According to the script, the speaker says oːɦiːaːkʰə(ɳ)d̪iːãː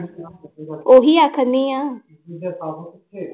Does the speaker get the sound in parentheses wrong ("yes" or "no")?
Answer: yes